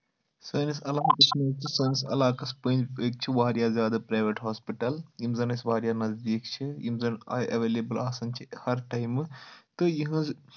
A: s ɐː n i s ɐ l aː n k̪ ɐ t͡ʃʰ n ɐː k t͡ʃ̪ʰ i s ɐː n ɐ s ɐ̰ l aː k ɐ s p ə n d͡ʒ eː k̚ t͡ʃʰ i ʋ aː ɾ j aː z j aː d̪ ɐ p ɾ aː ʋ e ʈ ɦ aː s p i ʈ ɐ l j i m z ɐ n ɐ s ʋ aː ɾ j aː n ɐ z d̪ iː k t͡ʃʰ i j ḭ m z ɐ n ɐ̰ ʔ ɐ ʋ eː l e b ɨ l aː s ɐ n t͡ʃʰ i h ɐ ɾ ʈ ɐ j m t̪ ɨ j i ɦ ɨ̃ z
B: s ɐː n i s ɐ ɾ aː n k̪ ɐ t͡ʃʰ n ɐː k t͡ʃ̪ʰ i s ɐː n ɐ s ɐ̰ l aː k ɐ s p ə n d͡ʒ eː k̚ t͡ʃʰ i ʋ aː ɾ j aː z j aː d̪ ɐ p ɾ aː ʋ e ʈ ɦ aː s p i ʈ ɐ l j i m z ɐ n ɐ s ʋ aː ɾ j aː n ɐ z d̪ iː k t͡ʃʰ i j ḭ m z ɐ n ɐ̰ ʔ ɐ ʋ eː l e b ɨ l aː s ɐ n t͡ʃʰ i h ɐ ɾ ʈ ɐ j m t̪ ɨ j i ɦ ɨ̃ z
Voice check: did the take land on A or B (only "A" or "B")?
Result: A